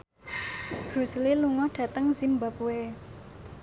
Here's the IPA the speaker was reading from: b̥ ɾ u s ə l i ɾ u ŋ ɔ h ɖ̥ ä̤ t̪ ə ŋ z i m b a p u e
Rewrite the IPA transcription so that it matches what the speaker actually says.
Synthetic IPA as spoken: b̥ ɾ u s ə l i l u ŋ ɔ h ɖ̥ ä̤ t̪ ə ŋ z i m b a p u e